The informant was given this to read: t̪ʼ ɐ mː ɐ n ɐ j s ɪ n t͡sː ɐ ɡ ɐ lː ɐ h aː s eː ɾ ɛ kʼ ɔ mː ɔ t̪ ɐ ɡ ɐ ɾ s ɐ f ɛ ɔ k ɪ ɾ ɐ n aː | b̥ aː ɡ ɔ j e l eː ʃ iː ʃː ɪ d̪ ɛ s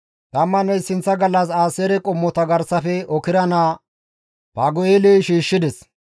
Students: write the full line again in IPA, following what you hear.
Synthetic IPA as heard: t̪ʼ ɐ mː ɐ n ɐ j s ɪ n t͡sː ɐ ɡ ɐ lː ɐ s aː s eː ɾ ɛ kʼ ɔ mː ɔ t̪ ɐ ɡ ɐ ɾ s ɐ f ɛ ɔ k ɪ ɾ ɐ n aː | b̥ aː ɡ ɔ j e l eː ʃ iː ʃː ɪ d̪ ɛ s